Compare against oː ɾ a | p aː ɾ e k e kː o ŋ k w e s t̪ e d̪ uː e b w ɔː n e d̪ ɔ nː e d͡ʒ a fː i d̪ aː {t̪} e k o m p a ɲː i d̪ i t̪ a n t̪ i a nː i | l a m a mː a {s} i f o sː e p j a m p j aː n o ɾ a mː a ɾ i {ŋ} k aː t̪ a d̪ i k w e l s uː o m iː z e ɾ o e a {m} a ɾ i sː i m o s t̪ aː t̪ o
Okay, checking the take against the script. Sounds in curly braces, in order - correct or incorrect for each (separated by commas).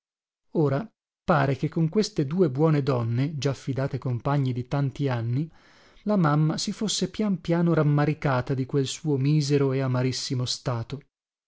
correct, correct, incorrect, correct